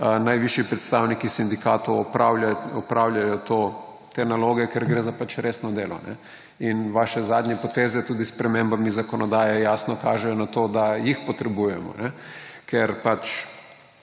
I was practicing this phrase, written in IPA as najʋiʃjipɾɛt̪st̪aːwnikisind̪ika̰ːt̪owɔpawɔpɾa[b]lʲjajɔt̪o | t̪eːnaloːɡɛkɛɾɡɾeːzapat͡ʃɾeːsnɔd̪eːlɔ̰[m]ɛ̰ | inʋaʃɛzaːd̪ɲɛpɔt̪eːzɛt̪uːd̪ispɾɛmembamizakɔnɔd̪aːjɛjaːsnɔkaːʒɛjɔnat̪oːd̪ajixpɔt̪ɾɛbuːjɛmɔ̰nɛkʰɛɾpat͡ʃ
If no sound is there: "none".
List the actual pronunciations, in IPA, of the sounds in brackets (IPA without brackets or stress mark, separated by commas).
w, n